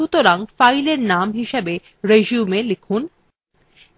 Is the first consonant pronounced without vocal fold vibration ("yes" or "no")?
yes